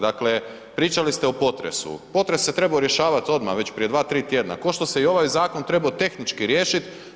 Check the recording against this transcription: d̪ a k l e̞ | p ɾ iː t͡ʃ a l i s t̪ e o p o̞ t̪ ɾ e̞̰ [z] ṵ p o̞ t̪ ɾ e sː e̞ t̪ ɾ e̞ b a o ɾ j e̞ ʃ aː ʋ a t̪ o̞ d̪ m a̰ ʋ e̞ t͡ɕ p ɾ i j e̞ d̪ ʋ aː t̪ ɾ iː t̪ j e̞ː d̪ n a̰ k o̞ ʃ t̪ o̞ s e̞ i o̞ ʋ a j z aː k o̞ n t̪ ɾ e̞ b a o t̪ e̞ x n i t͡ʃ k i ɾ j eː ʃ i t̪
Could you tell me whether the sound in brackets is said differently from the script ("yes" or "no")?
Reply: yes